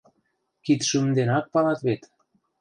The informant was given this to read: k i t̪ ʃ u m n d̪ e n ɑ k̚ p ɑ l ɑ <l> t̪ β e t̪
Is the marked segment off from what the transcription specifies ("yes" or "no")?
yes